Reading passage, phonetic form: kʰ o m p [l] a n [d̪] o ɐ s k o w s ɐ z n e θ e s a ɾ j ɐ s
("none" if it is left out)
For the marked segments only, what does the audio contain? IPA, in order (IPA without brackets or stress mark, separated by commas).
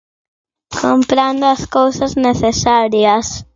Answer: ɾ, d̪